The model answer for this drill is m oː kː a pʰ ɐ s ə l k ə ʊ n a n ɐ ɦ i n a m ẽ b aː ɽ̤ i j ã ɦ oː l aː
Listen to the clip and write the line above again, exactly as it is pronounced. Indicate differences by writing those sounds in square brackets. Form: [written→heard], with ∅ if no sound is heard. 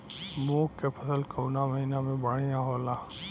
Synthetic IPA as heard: m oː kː [a→e] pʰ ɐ s ə l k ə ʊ n a [n→m] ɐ ɦ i n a m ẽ b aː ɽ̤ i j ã ɦ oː l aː